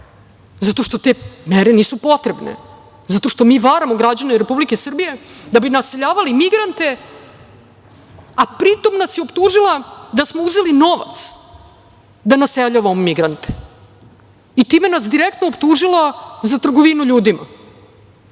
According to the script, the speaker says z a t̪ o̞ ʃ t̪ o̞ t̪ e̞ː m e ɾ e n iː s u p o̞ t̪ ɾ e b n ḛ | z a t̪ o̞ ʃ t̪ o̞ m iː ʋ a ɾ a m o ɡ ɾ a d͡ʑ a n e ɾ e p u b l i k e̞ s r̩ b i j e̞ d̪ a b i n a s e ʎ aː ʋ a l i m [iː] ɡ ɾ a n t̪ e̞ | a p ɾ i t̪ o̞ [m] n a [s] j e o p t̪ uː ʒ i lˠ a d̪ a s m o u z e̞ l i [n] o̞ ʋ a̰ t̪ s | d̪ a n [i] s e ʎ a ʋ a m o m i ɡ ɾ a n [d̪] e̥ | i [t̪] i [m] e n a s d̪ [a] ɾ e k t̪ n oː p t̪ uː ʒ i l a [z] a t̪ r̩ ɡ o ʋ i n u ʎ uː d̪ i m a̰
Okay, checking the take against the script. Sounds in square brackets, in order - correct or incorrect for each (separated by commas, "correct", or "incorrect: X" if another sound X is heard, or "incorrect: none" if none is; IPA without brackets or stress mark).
incorrect: i, correct, correct, correct, incorrect: a, incorrect: t̪, correct, correct, incorrect: i, correct